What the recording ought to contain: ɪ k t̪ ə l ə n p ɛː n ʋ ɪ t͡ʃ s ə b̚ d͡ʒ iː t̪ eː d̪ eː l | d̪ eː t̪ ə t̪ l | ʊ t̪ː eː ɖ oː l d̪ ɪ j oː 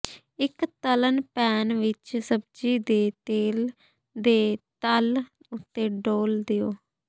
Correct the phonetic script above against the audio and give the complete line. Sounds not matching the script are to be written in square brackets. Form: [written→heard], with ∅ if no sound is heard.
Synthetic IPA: ɪ k t̪ ə l ə n p ɛː n ʋ ɪ t͡ʃ s ə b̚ d͡ʒ iː [t̪→d̪] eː [d̪→t̪] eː l | d̪ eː t̪ ə [t̪→∅] l | ʊ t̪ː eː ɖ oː l d̪ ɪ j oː